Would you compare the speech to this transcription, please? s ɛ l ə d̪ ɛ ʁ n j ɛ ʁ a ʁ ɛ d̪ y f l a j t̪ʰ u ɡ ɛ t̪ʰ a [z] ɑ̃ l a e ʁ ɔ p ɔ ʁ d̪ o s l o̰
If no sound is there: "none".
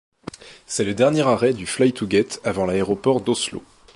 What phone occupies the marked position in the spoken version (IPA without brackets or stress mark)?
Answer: v